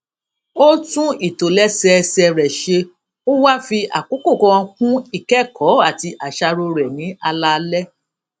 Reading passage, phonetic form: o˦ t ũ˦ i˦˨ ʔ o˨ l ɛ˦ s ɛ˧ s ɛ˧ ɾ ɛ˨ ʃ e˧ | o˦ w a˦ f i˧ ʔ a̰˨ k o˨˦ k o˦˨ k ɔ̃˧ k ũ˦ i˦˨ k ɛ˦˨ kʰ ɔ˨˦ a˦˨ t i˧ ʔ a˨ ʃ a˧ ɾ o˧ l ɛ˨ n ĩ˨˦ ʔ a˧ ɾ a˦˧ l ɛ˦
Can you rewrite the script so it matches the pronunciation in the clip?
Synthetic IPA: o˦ t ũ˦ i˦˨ t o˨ l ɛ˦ s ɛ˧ s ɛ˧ ɾ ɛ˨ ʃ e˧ | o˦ w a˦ f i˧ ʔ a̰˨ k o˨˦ k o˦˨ k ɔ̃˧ k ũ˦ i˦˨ k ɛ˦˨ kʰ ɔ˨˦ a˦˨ t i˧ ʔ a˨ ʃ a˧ ɾ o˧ ɾ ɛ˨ n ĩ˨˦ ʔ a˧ l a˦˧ l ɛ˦